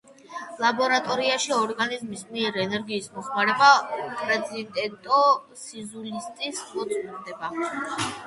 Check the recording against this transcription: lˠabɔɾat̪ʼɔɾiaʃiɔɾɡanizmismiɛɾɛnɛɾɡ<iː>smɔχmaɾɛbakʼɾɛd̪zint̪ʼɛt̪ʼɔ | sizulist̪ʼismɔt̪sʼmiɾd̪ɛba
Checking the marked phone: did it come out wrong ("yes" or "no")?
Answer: no